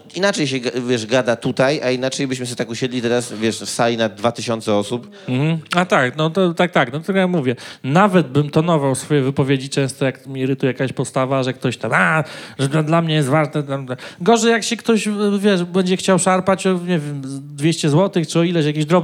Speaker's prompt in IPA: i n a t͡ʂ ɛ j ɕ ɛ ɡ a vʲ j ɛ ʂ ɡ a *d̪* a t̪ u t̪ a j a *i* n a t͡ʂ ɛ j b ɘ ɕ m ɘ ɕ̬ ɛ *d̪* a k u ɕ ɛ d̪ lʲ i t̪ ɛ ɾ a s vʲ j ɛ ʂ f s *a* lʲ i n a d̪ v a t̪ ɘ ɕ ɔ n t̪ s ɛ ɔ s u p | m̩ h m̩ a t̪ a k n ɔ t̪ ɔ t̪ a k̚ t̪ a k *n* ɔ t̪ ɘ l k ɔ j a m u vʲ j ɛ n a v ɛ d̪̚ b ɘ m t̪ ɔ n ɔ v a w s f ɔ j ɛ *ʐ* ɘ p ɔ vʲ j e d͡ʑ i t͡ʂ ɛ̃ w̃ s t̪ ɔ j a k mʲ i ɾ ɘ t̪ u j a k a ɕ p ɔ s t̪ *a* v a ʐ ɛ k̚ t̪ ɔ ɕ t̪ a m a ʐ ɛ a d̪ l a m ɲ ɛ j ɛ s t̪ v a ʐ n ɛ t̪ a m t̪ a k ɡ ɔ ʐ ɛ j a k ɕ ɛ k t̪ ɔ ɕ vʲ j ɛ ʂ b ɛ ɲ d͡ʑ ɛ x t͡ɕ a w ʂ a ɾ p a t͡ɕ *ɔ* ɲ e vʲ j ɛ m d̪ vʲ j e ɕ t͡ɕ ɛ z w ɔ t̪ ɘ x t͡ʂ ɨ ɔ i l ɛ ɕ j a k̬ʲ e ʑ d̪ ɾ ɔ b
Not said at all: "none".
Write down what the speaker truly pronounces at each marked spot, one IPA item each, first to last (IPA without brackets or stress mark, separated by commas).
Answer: d̪, i, t̪, a, n, v, a, ɔ